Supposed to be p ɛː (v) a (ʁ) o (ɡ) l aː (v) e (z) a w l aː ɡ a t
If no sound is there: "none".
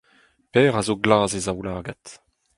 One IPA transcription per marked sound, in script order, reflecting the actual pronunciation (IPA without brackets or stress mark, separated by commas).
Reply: ʁ, z, ɡ, z, z